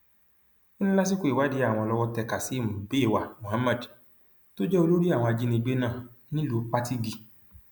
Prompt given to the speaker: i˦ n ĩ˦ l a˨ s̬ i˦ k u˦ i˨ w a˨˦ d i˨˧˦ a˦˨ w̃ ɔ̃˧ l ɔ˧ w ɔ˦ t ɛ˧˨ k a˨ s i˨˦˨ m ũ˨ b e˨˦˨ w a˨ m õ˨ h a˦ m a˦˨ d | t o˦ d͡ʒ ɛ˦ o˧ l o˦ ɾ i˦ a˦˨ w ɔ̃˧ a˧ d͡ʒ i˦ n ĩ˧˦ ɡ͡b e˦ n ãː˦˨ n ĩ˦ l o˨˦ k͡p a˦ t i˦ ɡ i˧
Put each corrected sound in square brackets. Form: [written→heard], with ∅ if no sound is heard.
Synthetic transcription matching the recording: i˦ n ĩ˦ l [a˨→a˦] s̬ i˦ k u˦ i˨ w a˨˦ d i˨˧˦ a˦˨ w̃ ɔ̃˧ l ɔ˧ w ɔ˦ t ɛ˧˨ k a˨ s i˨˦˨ m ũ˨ b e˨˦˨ w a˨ m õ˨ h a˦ m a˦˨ d | t o˦ d͡ʒ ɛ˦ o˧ l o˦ ɾ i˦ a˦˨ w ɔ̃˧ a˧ d͡ʒ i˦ n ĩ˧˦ ɡ͡b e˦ n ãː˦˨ n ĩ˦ l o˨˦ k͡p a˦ t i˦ ɡ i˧

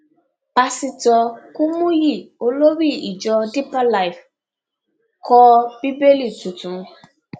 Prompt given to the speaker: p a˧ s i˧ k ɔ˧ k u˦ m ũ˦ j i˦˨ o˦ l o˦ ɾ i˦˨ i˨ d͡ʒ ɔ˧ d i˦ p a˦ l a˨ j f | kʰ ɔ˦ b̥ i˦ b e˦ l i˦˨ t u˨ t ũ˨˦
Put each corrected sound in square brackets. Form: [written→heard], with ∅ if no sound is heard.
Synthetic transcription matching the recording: p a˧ s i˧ [k→t] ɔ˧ k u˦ m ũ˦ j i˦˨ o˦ l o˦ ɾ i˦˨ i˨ d͡ʒ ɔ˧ d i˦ p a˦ l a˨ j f | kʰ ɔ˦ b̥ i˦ b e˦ l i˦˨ t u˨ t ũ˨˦

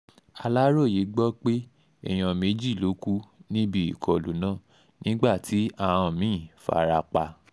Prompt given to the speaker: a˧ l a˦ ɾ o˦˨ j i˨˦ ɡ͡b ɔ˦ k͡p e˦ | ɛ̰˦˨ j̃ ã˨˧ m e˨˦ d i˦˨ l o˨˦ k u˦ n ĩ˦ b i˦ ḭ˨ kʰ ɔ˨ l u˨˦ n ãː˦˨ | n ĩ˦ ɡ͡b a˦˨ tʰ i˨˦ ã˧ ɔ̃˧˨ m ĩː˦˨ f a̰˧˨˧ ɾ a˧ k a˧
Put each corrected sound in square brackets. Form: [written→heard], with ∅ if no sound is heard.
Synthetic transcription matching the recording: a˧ l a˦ ɾ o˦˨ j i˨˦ ɡ͡b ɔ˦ k͡p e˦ | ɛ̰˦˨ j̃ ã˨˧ m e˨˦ [d→d͡ʒ] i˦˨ l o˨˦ k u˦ n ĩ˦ b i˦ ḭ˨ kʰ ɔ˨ l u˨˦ n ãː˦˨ | n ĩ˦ ɡ͡b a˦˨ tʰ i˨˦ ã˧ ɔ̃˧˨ m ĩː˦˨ f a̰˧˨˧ ɾ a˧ [k→k͡p] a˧

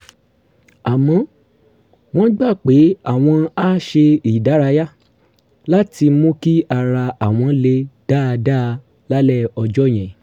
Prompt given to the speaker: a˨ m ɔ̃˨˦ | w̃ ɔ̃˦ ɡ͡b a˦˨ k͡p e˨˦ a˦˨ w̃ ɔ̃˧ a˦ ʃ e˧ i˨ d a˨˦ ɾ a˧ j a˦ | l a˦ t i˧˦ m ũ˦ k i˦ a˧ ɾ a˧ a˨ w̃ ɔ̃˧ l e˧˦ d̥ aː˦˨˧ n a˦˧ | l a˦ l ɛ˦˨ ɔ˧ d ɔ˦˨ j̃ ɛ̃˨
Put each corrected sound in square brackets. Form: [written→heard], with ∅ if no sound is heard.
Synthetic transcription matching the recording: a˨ m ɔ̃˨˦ | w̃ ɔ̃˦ ɡ͡b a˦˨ k͡p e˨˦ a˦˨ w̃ ɔ̃˧ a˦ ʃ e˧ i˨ d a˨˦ ɾ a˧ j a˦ | l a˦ t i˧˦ m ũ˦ k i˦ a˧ ɾ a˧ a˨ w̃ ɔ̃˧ l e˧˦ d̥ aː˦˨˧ [n→d] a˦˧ | l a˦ l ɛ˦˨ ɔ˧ [d→d͡ʒ] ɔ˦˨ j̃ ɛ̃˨

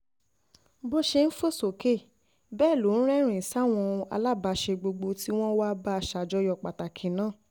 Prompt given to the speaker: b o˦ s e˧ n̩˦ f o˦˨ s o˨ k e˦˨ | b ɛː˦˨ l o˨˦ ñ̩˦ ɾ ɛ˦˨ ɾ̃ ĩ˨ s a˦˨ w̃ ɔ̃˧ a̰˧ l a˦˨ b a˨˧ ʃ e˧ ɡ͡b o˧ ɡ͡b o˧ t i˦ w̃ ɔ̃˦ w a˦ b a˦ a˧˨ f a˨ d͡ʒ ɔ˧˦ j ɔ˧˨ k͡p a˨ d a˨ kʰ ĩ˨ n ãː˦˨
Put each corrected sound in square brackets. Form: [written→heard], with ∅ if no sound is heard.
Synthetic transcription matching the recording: b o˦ [s→ʃ] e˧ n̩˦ f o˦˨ s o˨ k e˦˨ | b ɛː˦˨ l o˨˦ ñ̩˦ ɾ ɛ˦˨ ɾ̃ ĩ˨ s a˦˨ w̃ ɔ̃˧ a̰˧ l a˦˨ b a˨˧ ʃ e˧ ɡ͡b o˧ ɡ͡b o˧ t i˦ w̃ ɔ̃˦ w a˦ b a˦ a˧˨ [f→ʃ] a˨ d͡ʒ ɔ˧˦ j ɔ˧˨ k͡p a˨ [d→t] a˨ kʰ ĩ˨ n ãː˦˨

